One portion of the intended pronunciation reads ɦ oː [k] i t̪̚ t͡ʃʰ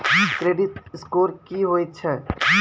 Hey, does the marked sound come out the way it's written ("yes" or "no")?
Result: no